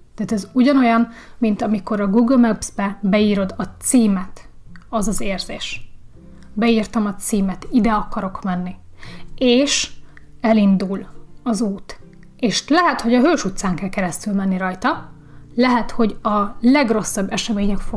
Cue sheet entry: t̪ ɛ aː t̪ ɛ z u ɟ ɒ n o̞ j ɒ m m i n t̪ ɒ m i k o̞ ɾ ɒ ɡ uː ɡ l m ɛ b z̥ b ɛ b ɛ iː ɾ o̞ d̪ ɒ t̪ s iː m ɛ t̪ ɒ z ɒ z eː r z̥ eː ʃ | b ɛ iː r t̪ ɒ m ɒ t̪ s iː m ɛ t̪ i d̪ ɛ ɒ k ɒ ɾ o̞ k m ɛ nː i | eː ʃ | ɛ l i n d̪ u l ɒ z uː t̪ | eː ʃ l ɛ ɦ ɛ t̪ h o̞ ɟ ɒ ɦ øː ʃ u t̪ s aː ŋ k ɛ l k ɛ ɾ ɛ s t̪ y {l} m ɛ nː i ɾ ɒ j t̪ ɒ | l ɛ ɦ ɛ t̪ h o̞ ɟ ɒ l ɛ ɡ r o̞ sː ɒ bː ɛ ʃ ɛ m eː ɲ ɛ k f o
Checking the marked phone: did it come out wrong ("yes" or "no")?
no